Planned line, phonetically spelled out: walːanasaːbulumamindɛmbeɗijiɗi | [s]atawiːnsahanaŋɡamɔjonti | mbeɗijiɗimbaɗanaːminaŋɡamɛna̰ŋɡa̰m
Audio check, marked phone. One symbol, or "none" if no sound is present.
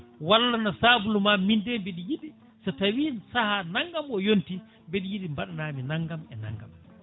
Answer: s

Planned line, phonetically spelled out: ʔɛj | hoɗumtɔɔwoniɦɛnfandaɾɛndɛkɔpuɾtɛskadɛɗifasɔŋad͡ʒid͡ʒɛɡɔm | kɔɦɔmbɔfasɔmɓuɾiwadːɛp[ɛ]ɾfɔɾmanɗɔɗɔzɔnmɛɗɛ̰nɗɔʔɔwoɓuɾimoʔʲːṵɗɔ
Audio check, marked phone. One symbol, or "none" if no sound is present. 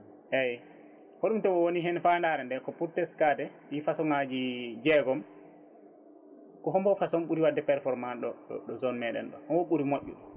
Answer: ɛ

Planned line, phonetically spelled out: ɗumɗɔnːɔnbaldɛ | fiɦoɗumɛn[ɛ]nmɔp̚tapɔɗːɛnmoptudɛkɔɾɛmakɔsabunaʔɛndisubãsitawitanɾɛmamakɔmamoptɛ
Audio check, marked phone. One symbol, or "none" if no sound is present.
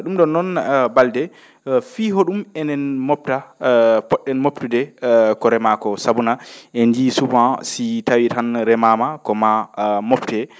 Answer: ɛ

